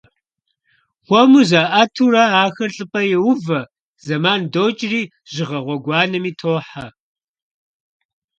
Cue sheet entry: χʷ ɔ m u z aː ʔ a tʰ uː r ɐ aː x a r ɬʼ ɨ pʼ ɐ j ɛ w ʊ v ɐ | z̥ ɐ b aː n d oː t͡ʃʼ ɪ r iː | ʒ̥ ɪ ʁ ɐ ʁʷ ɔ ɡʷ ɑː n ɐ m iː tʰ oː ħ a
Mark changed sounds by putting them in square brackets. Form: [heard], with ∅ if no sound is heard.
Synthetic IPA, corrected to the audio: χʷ ɔ m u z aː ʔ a tʰ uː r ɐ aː x [ɐ] r ɬʼ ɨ pʼ ɐ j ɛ w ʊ v ɐ | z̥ ɐ [m] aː n d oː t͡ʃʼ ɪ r iː | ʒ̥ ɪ ʁ ɐ ʁʷ ɔ ɡʷ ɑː n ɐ m iː tʰ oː ħ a

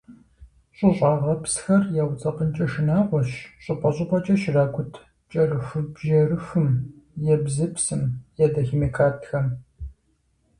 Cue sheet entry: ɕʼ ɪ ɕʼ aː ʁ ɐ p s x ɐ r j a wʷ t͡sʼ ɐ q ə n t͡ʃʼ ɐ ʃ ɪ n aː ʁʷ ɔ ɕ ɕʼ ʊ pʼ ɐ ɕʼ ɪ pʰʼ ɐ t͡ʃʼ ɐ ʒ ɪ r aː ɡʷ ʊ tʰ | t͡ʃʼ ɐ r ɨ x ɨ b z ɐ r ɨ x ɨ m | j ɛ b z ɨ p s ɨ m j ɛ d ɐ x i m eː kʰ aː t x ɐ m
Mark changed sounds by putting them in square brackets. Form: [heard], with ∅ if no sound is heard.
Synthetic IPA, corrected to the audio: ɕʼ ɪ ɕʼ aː ʁ ɐ p s x ɐ r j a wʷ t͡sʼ ɐ q ə n t͡ʃʼ ɐ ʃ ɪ n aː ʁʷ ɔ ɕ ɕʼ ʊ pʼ ɐ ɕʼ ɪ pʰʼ ɐ t͡ʃʼ ɐ [ʃ] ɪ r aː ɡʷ ʊ tʰ | t͡ʃʼ ɐ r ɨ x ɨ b [ʒ] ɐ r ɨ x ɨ m | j ɛ b z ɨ p s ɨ m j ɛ d ɐ x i m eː kʰ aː t x ɐ m

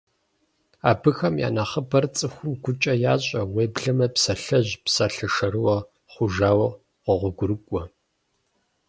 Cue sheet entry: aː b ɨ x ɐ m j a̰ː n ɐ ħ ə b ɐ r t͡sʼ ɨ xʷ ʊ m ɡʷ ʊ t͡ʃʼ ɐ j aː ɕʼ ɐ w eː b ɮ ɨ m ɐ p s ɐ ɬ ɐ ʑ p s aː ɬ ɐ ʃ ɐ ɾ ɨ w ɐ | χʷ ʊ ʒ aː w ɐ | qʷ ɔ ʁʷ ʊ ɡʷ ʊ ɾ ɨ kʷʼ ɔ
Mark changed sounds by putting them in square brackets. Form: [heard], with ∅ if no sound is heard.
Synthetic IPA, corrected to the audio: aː b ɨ x ɐ m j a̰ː n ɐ [χ] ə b ɐ r t͡sʼ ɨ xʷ ʊ m ɡʷ ʊ t͡ʃʼ ɐ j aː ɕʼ ɐ w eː b ɮ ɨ m ɐ p s ɐ ɬ ɐ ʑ p s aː ɬ ɐ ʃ ɐ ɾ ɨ w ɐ | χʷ ʊ ʒ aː w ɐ | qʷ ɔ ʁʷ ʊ ɡʷ ʊ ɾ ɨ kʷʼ ɔ

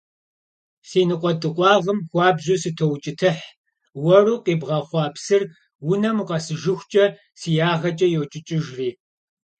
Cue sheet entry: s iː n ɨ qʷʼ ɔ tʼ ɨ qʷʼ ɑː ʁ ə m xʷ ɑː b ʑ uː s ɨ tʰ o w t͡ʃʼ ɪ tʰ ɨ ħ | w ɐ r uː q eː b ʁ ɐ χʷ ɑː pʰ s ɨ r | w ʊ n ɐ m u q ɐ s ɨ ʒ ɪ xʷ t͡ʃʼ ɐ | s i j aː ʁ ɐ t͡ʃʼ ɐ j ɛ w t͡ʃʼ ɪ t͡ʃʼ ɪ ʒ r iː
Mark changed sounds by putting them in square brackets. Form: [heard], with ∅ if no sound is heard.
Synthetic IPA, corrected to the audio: s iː n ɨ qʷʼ ɔ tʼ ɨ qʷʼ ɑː ʁ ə m xʷ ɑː b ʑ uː s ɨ tʰ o w t͡ʃʼ ɪ tʰ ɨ ħ | w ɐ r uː q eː b ʁ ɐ χʷ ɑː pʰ s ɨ r | w ʊ n ɐ m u q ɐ s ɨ ʒ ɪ xʷ t͡ʃʼ ɐ | s i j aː ʁ ɐ t͡ʃʼ ɐ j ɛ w t͡ʃʼ ɪ t͡ʃʼ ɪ ʒ r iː

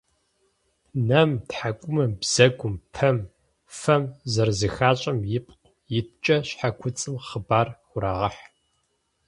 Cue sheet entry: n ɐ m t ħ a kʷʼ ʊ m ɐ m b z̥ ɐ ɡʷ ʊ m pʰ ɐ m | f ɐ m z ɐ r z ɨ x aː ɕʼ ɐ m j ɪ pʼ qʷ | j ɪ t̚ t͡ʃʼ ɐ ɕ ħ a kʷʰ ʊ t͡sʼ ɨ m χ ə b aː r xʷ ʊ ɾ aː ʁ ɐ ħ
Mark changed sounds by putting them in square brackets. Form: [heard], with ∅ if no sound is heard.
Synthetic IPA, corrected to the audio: n ɐ m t ħ a kʷʼ ʊ m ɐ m b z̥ ɐ ɡʷ ʊ m pʰ ɐ m | f ɐ m z ɐ r z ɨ x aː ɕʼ ɐ m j ɪ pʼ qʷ | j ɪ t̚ t͡ʃʼ ɐ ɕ ħ a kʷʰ ʊ t͡sʼ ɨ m χ ə b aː r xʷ ʊ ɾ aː ʁ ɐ ħ

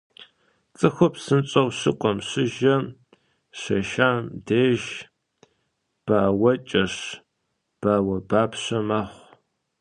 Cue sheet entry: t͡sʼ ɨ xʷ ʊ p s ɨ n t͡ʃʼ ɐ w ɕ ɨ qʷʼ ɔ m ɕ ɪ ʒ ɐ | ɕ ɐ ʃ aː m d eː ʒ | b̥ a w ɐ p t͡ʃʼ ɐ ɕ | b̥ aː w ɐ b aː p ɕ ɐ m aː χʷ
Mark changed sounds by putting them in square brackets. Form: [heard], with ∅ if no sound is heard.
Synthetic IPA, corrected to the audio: t͡sʼ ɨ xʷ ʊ p s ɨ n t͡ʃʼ ɐ w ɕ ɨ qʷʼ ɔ m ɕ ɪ ʒ ɐ | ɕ ɐ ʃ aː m d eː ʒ | b̥ a w ɐ [∅] t͡ʃʼ ɐ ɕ | b̥ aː w ɐ b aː p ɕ ɐ m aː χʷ

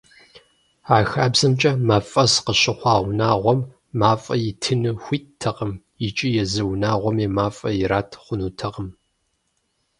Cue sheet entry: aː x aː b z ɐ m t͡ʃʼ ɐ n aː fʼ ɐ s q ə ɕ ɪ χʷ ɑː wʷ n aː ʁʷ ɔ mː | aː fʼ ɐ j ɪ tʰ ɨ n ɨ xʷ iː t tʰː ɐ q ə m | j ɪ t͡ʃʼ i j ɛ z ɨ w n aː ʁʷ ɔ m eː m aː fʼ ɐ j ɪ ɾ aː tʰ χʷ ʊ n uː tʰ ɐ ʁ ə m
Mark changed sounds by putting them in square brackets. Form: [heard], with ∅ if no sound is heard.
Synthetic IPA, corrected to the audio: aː x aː b z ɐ m t͡ʃʼ ɐ [m] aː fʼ ɐ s q ə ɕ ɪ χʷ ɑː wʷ n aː ʁʷ ɔ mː | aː fʼ ɐ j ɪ tʰ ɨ n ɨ xʷ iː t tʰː ɐ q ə m | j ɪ t͡ʃʼ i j ɛ z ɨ w n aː ʁʷ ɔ m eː m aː fʼ ɐ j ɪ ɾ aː tʰ χʷ ʊ n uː tʰ ɐ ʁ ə m

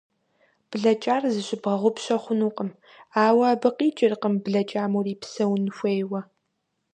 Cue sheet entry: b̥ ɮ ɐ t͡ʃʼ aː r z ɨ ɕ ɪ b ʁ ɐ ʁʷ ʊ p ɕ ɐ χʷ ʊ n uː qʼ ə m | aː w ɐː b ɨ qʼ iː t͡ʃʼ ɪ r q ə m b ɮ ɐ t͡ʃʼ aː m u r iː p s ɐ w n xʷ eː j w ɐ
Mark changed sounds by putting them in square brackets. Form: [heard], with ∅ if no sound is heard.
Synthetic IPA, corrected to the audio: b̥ ɮ ɐ t͡ʃʼ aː r z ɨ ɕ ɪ b ʁ ɐ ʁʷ ʊ p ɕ ɐ χʷ ʊ n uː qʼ ə m | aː w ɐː b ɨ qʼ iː t͡ʃʼ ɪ r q ə m b ɮ ɐ t͡ʃʼ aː m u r iː p s ɐ w n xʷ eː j w ɐ

